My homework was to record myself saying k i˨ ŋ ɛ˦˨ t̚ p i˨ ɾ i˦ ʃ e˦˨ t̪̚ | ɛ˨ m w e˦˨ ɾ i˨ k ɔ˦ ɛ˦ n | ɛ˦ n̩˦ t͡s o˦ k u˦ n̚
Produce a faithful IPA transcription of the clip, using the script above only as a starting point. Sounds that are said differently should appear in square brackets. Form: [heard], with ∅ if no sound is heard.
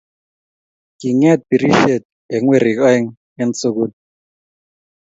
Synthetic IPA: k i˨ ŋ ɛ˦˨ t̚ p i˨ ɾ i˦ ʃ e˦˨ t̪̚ | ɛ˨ [ŋ] w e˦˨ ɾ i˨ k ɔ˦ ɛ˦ [ŋ] | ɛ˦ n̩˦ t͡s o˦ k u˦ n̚